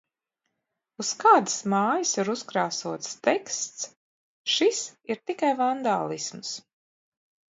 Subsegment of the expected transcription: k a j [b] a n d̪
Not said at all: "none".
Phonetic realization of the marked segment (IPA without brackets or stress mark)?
v